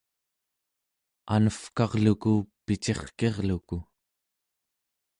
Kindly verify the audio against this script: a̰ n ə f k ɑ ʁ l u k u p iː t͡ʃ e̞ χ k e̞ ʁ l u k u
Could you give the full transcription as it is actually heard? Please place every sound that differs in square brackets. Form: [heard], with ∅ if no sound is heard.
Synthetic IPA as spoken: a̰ n ə f k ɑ ʁ l u k u p [i] t͡ʃ e̞ χ k e̞ ʁ l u k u